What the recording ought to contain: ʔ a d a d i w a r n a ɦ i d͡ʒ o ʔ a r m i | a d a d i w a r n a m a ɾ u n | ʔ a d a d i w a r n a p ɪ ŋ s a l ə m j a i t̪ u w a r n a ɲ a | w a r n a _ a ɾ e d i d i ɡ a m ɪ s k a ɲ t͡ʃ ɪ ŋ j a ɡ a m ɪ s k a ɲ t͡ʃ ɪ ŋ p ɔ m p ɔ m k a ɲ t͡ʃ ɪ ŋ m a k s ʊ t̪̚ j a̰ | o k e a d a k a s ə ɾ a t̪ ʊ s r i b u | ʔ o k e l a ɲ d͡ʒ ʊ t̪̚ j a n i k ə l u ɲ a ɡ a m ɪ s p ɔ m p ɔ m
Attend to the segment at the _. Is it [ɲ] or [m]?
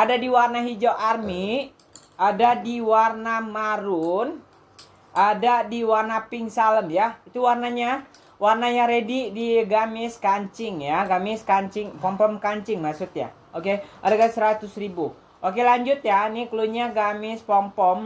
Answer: ɲ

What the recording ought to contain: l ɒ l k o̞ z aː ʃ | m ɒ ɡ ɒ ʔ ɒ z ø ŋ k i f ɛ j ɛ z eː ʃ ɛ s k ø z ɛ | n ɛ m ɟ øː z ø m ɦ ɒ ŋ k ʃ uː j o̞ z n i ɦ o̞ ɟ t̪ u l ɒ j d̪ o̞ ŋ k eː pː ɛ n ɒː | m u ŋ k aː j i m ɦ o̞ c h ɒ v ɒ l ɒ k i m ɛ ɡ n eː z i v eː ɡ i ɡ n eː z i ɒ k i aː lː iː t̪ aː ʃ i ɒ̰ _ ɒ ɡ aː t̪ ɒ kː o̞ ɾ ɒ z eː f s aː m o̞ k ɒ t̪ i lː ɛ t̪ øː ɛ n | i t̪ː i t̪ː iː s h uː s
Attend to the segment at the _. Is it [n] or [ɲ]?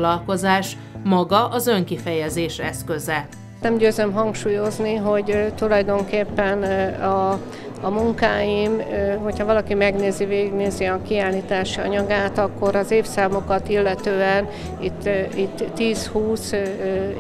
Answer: ɲ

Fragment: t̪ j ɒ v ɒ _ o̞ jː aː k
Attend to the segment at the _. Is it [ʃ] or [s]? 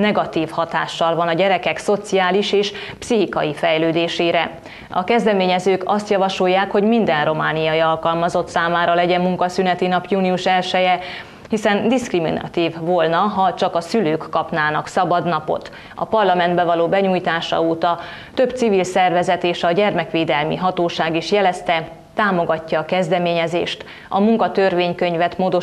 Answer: ʃ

